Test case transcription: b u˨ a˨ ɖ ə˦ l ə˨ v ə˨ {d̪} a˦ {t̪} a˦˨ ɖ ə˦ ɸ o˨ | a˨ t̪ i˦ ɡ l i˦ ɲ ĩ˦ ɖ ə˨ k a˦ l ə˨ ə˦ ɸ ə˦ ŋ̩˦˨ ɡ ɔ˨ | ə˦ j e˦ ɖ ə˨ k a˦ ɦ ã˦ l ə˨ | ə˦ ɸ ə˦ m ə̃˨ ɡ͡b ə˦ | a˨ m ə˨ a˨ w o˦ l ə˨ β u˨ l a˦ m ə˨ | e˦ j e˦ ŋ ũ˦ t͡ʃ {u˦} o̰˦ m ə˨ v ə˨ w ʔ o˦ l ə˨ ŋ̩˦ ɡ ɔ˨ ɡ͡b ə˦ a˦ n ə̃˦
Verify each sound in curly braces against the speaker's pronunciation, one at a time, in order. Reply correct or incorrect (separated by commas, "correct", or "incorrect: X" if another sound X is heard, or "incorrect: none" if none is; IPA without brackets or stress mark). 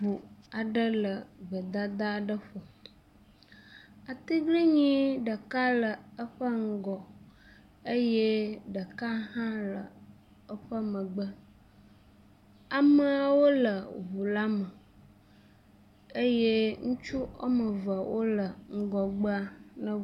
correct, incorrect: d̪, correct